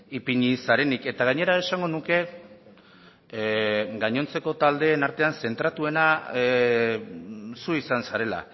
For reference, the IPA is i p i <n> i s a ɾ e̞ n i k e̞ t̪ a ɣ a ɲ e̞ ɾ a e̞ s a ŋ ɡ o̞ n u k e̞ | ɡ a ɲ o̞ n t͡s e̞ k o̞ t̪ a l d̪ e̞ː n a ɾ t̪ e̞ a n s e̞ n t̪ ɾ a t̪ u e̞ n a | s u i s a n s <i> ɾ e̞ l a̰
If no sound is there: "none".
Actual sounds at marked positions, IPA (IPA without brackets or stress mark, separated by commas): ɲ, a